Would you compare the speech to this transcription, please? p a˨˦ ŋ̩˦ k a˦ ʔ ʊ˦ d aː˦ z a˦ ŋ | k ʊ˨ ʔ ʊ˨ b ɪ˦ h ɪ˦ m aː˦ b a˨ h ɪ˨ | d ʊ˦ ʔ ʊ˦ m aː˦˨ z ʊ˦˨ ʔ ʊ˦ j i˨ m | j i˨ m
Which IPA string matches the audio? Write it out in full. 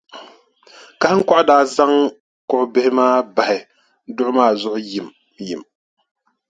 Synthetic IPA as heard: k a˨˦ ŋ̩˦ k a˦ ʔ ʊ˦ d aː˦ z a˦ ŋ | k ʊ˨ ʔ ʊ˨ b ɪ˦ h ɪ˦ m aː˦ b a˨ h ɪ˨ | d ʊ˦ ʔ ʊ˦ m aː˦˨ z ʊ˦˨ ʔ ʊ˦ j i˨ m | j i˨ m